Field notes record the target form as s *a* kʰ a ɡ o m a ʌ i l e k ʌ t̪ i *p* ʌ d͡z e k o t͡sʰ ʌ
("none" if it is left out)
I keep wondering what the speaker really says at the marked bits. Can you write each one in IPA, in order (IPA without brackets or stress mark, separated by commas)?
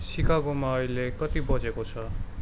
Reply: i, b